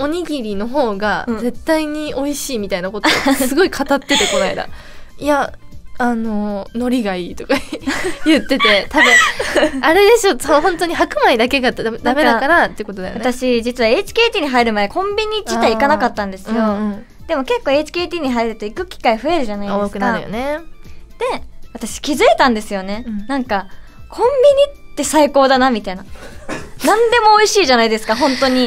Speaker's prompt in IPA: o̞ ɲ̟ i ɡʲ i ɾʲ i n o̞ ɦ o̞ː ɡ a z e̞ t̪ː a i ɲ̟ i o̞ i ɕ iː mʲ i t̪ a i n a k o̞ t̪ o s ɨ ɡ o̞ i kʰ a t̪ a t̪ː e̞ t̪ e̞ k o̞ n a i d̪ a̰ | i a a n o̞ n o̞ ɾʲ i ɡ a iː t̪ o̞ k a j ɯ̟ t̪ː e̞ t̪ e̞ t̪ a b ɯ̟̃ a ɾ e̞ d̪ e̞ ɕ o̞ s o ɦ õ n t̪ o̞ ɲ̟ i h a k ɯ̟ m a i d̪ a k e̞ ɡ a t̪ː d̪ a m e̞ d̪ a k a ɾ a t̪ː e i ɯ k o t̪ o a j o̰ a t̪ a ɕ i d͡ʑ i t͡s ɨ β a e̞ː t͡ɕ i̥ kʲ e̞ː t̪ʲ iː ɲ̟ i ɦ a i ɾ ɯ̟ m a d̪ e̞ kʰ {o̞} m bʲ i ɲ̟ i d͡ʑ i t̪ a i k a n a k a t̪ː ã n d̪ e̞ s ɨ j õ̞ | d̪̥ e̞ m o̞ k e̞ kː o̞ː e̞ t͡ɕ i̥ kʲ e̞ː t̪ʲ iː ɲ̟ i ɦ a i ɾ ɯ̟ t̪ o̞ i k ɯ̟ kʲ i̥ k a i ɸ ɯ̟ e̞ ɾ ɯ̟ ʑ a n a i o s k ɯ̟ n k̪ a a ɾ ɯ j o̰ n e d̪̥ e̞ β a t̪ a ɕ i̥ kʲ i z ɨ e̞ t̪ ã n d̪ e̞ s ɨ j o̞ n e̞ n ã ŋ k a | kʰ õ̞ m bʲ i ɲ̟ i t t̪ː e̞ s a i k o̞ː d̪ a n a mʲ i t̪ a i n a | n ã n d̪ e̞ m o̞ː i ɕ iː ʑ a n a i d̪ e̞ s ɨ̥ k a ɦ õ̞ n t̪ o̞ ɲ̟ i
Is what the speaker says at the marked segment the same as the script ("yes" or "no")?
no